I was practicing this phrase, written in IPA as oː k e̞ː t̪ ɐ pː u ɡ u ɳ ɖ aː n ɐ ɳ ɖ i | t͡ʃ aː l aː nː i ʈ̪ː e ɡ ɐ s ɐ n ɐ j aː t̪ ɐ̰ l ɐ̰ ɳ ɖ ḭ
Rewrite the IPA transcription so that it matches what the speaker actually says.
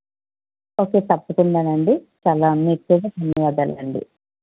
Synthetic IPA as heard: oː k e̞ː t̪ ɐ pː u k u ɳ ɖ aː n ɐ ɳ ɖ i | t͡ʃ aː l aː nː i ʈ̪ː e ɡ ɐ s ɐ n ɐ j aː d̪ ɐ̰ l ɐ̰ ɳ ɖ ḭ